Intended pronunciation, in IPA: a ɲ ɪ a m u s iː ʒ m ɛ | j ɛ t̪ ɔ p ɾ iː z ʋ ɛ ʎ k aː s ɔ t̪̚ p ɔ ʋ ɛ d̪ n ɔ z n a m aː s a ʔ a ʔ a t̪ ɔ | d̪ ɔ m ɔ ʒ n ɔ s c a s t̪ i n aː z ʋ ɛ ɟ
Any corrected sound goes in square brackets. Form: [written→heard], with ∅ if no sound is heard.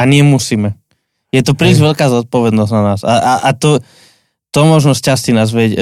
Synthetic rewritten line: a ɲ ɪ [a→ɛ] m u s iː [ʒ→∅] m ɛ | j ɛ t̪ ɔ p ɾ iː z ʋ ɛ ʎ k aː [s→z] ɔ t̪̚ p ɔ ʋ ɛ d̪ n ɔ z n a [m→n] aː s a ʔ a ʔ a t̪ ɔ | [d̪→t̪] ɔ m ɔ ʒ n ɔ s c a s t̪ i n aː z ʋ ɛ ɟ